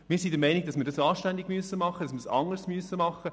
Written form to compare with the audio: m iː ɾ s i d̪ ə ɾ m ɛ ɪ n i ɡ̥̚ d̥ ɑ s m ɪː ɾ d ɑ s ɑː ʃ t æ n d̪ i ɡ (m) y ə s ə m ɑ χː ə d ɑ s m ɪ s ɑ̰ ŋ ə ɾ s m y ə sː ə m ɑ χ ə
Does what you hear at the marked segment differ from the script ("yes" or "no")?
no